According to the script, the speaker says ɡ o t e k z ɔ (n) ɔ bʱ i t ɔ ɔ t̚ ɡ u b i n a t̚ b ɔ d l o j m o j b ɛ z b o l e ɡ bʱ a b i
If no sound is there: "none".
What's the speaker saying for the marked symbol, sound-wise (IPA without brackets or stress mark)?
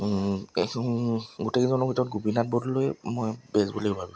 n